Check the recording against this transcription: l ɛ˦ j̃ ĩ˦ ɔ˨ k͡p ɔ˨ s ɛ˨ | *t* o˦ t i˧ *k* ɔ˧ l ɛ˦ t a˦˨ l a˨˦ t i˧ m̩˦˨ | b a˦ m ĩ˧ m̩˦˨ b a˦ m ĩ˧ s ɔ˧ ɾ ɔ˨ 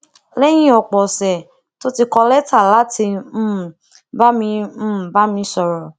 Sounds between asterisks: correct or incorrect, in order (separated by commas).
correct, correct